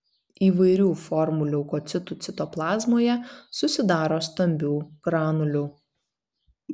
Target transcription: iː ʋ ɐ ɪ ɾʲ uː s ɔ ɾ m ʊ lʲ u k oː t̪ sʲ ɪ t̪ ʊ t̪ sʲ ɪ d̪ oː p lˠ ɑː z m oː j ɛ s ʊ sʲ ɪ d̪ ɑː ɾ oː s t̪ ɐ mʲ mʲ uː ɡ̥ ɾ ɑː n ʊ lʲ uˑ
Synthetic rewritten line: iː ʋ ɐ ɪ ɾʲ uː f ɔ ɾ m ʊ lʲ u k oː t̪ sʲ ɪ t̪ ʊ t̪ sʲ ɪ t̪ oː p lˠ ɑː z m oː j ɛ s ʊ sʲ ɪ d̪ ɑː ɾ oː s t̪ ɐ mʲ bʲ uː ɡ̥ ɾ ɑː n ʊ lʲ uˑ